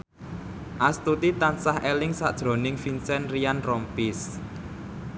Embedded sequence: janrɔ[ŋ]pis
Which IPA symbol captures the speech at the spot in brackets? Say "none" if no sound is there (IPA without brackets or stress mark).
m